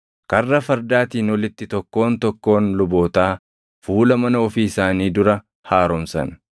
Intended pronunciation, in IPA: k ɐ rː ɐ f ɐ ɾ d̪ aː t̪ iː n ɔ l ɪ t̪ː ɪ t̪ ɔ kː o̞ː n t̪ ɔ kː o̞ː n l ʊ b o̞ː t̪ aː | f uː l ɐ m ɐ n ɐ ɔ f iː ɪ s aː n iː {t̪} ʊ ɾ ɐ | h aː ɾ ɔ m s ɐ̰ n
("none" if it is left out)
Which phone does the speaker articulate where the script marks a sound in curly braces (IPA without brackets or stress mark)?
d̪